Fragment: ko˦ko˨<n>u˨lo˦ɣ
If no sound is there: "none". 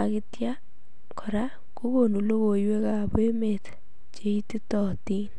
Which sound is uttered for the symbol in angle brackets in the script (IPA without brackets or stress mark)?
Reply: n